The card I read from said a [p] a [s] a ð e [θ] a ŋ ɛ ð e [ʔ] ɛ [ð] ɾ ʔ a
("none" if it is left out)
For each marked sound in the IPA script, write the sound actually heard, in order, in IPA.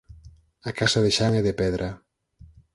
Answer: k, s, ʃ, p, ð

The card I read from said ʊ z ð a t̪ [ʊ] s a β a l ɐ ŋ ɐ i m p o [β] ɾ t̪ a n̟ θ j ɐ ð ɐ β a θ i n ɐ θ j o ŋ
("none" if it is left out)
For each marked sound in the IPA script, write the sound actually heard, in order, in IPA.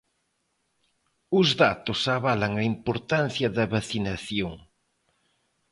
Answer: ʊ, none

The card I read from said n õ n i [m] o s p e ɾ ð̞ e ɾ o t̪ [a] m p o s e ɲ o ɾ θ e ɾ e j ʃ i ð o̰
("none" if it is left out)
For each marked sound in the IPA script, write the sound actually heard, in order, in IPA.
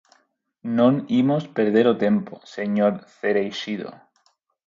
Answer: m, e

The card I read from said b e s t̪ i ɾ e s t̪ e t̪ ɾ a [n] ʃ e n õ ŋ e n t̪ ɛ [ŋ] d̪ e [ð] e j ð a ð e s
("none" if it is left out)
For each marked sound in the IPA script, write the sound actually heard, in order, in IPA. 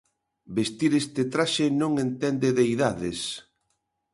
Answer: none, n, ð

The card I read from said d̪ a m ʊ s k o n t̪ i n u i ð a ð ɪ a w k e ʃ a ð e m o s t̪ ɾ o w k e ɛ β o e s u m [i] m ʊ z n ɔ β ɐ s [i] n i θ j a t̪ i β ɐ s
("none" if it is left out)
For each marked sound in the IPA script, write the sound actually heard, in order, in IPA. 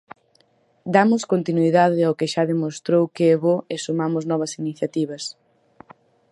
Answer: a, i

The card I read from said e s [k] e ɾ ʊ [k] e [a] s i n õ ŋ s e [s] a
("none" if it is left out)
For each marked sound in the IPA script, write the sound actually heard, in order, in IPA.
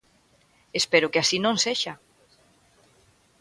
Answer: p, k, a, ʃ

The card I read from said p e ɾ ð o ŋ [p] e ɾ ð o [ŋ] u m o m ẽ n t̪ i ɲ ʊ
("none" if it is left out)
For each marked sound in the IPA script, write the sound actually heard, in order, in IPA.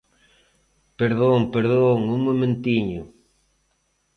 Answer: p, ŋ

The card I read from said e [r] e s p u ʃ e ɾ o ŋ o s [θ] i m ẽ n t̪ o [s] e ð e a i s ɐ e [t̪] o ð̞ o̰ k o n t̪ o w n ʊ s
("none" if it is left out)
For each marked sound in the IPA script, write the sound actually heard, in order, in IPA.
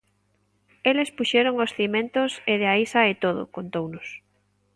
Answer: l, θ, s, t̪

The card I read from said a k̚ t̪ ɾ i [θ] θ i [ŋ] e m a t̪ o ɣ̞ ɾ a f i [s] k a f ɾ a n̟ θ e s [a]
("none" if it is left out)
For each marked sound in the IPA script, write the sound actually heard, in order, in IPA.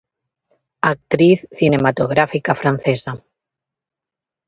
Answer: θ, n, none, a

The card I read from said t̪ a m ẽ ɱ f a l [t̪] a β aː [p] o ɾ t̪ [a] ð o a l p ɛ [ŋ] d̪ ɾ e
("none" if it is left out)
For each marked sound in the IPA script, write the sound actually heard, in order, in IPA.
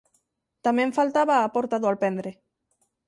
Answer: t̪, p, a, n

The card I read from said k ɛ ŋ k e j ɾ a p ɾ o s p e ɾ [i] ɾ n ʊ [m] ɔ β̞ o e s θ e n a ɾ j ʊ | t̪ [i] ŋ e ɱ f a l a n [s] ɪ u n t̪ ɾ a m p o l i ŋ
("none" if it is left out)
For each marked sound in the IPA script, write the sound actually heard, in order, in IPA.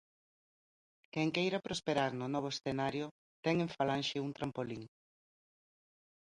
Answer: a, n, ɛ, ʃ

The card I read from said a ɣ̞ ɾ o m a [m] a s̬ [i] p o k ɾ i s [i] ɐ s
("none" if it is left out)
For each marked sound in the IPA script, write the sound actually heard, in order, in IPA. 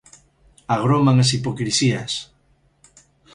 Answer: ŋ, i, i

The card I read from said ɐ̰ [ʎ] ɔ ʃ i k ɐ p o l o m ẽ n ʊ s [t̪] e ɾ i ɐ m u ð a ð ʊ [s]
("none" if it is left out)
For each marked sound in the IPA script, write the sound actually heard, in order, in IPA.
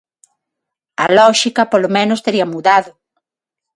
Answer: l, t̪, none

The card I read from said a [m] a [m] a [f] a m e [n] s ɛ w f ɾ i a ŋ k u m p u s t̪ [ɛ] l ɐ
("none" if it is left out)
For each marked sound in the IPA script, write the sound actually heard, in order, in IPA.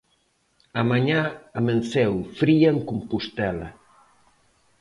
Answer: m, ɲ, none, n, ɛ

